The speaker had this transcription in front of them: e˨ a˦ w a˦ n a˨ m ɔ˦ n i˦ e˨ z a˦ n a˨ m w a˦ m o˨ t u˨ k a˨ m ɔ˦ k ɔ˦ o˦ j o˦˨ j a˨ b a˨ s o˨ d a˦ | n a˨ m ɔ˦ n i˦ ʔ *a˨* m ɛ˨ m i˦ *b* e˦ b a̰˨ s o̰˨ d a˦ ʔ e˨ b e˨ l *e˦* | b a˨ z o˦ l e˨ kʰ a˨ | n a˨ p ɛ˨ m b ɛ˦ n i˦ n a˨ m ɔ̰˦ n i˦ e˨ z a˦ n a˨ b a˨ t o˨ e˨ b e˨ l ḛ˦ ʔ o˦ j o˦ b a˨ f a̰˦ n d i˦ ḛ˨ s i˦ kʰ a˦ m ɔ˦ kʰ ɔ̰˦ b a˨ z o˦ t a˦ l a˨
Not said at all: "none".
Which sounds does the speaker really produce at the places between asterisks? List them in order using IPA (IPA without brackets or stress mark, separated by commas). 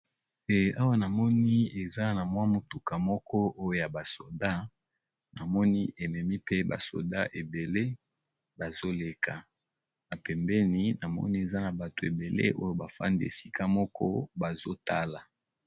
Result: e˨, p, e˦